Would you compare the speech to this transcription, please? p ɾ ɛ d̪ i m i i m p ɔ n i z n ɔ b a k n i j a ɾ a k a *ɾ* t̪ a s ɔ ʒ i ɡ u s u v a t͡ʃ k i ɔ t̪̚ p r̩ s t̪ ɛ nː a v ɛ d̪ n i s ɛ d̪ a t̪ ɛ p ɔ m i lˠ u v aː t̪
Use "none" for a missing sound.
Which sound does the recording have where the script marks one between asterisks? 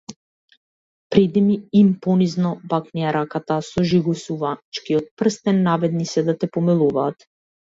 none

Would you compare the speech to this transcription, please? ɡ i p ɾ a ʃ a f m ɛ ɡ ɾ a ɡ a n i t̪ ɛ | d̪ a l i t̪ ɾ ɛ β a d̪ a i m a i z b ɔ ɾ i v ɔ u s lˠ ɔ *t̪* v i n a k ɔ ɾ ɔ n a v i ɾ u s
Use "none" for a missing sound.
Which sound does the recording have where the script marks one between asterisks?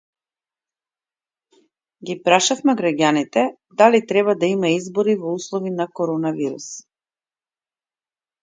none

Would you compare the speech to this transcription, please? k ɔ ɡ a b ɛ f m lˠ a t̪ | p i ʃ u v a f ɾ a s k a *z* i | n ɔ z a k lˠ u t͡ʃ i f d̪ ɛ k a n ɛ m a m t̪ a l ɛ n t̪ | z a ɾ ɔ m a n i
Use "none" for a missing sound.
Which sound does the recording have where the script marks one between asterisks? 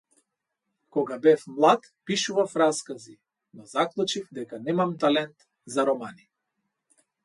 z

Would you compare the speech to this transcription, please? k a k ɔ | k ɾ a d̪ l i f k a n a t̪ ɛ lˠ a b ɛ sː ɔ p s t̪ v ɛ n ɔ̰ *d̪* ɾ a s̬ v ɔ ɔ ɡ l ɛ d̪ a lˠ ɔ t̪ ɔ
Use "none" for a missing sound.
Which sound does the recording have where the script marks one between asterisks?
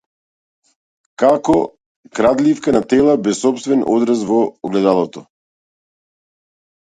d̪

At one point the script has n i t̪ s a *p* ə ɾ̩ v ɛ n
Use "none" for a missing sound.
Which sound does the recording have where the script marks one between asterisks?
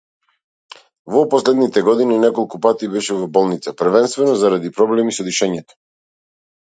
p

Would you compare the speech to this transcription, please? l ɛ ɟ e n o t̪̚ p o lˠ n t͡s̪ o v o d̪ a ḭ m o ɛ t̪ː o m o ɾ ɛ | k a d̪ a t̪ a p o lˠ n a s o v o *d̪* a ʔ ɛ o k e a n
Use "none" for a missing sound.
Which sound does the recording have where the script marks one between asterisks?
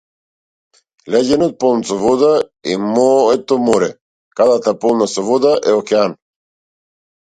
d̪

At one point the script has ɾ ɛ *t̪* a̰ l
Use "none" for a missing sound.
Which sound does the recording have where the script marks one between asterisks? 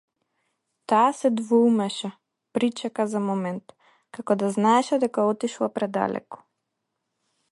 d̪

